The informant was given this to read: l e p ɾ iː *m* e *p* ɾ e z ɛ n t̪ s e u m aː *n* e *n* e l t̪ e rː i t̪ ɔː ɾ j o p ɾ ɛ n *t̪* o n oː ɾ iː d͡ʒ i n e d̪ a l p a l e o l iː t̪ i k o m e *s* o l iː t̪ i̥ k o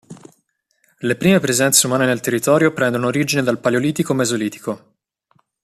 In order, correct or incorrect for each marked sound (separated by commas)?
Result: correct, correct, correct, correct, incorrect, incorrect